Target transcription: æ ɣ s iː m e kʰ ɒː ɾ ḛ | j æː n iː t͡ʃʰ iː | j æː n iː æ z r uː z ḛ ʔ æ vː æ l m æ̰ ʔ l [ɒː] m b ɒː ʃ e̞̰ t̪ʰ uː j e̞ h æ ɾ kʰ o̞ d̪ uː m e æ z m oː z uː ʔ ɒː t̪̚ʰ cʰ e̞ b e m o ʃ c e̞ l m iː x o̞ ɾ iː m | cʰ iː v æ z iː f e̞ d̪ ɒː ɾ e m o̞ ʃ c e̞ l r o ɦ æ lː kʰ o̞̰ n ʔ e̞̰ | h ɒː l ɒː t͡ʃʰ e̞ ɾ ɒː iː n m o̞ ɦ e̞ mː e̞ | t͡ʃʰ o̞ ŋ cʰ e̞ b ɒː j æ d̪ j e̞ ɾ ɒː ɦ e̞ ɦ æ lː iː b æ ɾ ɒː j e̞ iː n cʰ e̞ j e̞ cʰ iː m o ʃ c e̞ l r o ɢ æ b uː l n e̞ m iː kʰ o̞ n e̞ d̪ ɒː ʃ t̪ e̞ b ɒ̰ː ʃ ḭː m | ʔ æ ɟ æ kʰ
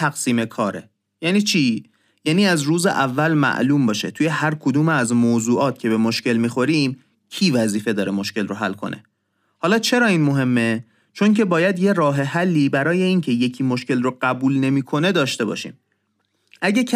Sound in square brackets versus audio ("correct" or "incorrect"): incorrect